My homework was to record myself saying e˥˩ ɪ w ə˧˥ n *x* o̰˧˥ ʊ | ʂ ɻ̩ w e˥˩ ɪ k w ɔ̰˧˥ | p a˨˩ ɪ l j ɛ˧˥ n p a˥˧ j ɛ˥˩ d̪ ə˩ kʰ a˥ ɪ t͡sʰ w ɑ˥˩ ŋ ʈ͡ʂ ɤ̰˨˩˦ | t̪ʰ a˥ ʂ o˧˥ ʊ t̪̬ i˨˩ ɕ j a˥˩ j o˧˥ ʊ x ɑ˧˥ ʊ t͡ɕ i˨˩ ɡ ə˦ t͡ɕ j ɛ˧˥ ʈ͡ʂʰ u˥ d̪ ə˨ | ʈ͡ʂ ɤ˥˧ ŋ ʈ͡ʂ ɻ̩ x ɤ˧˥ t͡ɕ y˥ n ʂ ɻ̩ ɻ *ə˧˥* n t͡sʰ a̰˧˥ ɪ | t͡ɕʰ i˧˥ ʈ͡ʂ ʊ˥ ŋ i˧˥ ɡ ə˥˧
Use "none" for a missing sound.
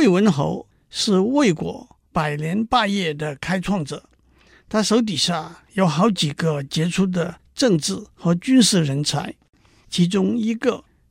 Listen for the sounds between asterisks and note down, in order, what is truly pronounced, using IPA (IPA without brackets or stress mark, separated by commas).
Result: x, ə˧˥